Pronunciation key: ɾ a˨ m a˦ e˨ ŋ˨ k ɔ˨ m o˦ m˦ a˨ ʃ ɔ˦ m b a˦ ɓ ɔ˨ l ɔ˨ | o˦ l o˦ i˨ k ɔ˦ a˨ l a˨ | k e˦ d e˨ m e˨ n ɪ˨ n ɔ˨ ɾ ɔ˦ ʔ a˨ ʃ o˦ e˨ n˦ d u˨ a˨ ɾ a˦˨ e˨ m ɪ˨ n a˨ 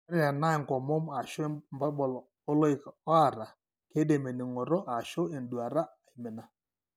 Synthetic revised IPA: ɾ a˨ n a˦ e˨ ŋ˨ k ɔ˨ m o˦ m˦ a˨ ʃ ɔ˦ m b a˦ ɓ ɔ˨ l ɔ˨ | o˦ l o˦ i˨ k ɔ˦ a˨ ɾ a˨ | k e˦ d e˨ m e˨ n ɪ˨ ŋ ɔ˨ ɾ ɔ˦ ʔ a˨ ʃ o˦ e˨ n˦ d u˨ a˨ ɾ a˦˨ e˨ m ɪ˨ n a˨